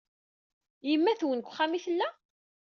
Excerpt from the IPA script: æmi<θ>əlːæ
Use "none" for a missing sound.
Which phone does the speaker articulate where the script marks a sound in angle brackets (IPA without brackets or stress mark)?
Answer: θ